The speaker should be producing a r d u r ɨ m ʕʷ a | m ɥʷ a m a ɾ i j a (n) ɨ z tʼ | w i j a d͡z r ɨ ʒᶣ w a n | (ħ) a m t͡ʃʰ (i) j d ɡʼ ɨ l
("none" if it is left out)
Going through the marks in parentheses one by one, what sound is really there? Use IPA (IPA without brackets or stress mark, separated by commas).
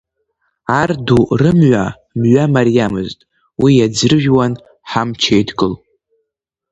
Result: m, ħ, e